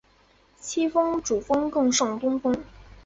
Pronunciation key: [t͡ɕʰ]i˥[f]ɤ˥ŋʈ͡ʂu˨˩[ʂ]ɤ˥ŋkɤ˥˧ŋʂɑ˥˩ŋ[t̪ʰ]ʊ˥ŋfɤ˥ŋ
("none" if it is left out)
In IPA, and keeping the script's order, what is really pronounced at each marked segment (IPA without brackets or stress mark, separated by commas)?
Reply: t͡ɕʰ, f, f, t̪